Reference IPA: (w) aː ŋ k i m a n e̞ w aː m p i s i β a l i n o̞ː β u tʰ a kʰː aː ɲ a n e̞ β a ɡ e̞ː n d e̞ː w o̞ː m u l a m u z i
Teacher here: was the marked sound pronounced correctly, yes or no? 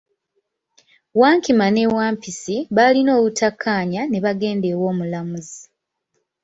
yes